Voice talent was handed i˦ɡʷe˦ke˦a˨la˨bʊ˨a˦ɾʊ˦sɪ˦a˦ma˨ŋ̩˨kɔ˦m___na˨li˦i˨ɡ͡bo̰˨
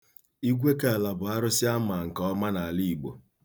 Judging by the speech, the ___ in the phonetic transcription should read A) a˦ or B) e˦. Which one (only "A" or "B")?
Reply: A